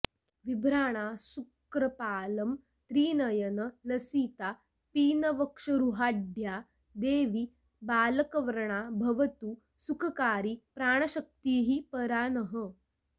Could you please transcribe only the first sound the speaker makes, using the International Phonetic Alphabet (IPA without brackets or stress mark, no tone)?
ʋ